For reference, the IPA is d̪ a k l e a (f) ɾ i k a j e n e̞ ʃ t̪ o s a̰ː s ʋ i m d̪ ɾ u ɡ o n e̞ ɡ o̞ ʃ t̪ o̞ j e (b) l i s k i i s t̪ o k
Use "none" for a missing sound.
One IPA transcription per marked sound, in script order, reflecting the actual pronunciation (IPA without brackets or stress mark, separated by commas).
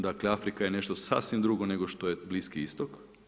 f, b